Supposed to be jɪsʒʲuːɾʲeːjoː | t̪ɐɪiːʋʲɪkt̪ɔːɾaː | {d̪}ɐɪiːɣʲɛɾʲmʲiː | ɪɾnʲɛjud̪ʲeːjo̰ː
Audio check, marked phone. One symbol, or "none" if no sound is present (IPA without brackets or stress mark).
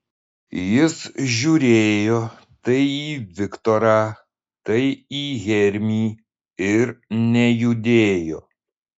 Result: t̪